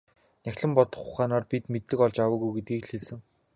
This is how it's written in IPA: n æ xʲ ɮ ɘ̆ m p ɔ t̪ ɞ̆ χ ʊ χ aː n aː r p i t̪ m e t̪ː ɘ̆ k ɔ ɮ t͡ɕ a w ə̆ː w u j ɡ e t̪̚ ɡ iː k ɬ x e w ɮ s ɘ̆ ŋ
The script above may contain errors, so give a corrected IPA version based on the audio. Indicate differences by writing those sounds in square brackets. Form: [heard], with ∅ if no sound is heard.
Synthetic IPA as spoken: n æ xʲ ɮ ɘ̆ m p ɔ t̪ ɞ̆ χ ʊ χ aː n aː r p i t̪ m e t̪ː ɘ̆ k ɔ ɮ t͡ɕ a w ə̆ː [ɣ] u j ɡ e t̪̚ ɡ iː k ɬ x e [∅] ɮ s ɘ̆ ŋ